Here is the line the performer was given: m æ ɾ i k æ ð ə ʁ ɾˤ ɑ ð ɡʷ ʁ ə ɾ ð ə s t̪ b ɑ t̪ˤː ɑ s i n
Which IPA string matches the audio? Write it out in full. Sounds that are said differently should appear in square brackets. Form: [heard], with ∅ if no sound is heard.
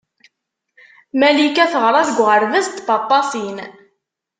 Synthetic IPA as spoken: m æ [l] i k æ [θ] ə ʁ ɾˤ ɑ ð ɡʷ ʁ ə ɾ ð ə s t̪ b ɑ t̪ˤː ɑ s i n